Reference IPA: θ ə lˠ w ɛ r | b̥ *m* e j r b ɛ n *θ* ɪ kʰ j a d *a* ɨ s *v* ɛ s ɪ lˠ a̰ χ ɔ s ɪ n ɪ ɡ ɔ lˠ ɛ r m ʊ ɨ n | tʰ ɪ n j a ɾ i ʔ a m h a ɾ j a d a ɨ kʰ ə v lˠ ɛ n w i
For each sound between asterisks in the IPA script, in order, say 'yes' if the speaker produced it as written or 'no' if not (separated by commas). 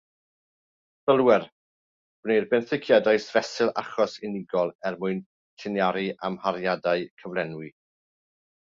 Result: no, yes, yes, yes